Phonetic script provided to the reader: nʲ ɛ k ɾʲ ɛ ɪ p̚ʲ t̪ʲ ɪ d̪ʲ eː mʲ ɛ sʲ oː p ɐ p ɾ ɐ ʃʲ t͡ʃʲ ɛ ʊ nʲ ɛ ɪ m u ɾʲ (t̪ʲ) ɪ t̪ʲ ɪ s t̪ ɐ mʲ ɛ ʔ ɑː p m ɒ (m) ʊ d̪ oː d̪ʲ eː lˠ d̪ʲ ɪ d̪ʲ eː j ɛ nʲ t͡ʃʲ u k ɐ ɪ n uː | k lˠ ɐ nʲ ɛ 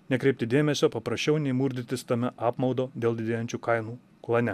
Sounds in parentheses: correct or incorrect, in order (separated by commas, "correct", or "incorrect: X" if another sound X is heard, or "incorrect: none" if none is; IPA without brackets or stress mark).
incorrect: d̪ʲ, incorrect: none